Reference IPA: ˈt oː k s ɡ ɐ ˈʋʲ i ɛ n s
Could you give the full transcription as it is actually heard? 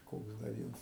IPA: ˈk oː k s d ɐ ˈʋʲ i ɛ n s